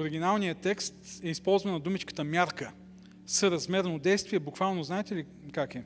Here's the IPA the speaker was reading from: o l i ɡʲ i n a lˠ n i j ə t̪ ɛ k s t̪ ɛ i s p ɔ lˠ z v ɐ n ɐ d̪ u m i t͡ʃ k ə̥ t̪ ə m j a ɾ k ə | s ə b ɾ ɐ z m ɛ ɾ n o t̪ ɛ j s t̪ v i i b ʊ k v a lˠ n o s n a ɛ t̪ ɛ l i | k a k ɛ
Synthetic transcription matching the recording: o ɾ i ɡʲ i n a lˠ n i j ə t̪ ɛ k s t̪ ɛ i s p ɔ lˠ z v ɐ n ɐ d̪ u m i t͡ʃ k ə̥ t̪ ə m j a ɾ k ə | s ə ɾ ɐ z m ɛ ɾ n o d̪ ɛ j s t̪ v i ɛ b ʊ k v a lˠ n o z n a ɛ t̪ ɛ l i | k a k ɛ